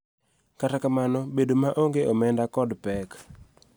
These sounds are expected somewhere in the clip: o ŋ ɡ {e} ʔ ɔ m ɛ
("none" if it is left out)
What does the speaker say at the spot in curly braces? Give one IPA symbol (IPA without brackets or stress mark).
e